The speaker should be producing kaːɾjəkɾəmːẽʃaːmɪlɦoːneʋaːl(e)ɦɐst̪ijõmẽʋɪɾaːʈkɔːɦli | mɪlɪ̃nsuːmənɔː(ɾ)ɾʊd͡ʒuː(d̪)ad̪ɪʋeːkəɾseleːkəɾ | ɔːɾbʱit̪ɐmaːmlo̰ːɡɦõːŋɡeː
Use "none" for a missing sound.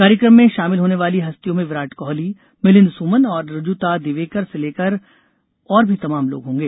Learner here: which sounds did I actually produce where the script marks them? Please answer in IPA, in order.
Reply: i, ɾ, t̪

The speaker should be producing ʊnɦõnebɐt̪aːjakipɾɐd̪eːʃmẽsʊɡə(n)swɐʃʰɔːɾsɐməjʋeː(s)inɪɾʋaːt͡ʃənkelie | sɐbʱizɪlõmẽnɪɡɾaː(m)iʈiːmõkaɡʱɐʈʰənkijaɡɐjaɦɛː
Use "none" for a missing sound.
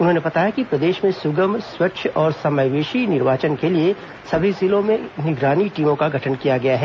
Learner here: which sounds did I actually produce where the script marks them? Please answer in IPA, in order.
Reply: m, ʃ, n

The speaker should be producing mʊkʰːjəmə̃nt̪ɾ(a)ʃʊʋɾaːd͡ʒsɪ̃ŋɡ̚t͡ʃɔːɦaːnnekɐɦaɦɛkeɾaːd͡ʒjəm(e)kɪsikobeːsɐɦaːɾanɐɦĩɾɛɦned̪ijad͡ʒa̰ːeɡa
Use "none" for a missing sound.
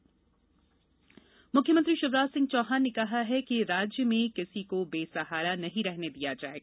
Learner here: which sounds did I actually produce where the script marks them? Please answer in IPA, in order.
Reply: i, ẽ

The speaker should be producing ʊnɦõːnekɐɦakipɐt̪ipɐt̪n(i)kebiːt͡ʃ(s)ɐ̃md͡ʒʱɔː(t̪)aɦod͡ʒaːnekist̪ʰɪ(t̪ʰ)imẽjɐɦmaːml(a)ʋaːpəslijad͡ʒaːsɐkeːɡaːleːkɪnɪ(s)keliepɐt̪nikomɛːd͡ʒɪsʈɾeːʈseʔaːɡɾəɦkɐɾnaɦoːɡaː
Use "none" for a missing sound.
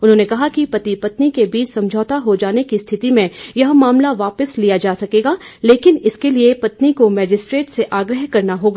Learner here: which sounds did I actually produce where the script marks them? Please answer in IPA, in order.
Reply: i, s, t̪, t̪, a, s

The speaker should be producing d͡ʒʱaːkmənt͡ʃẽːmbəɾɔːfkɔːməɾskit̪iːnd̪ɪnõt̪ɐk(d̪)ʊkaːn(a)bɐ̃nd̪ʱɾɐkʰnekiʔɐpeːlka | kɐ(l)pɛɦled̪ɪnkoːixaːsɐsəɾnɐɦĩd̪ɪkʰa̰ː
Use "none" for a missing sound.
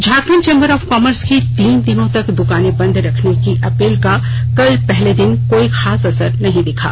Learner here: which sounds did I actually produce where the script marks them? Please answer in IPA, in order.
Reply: d̪, e, l

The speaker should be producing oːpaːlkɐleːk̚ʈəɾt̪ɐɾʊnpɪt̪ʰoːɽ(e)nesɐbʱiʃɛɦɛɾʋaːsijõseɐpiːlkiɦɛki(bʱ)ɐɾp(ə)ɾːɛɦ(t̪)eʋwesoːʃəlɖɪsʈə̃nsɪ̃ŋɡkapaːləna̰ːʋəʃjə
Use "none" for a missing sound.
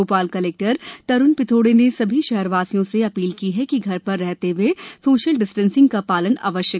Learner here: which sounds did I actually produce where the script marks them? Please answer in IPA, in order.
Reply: e, ɡʱ, ɐ, t̪

